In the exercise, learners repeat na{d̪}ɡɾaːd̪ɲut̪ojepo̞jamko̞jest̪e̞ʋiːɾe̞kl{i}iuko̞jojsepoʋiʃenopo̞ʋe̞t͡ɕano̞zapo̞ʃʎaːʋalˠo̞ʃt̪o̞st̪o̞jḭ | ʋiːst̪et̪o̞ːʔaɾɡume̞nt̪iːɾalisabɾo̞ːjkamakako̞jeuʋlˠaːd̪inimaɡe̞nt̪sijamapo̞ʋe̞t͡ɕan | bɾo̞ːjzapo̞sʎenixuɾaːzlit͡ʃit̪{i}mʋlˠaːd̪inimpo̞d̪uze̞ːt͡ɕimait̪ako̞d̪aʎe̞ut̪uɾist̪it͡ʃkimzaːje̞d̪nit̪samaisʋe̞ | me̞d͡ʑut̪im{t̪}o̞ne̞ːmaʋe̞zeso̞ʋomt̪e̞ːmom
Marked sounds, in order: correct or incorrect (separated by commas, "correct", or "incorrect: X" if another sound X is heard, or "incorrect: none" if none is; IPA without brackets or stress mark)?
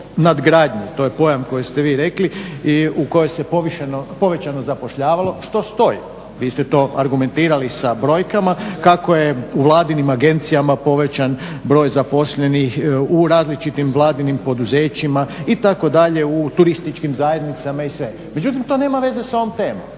correct, correct, correct, correct